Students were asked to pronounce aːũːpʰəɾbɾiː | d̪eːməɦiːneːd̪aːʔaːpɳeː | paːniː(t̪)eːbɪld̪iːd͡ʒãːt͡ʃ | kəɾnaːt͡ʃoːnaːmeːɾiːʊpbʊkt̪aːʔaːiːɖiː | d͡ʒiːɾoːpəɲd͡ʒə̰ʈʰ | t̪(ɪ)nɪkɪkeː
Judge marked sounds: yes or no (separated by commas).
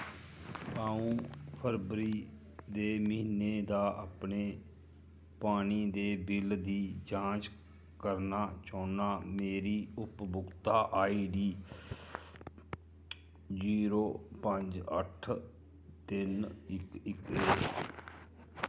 no, yes